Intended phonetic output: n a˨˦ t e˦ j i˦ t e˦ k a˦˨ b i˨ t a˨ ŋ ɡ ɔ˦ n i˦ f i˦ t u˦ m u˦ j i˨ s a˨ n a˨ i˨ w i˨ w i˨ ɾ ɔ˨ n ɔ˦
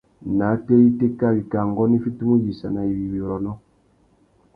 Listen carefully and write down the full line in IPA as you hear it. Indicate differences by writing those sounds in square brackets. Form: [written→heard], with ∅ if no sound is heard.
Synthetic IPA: n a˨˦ t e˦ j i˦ t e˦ k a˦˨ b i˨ [t→k] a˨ ŋ ɡ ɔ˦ n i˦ f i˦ t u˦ m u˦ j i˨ s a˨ n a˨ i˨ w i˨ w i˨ ɾ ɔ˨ n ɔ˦